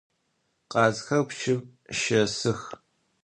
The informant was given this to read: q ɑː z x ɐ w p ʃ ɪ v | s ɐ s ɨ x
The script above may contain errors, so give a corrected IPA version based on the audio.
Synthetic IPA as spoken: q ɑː z x ɐ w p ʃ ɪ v | ʃ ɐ s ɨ x